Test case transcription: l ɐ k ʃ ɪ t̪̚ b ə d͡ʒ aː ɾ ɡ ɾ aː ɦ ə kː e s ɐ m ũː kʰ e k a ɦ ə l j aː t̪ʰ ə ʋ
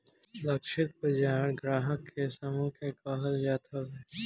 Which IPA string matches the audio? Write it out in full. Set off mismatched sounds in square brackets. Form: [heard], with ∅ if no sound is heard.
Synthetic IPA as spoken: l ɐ k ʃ ɪ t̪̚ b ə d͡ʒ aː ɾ ɡ ɾ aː ɦ ə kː e s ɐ m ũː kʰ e k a ɦ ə l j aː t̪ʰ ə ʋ